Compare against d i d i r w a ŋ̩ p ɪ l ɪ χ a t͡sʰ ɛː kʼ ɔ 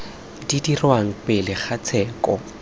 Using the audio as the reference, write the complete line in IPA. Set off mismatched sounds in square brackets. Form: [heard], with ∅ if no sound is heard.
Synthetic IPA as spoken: d i d i r w a ŋ̩ p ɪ l ɪ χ a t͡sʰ ɛː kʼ ɔ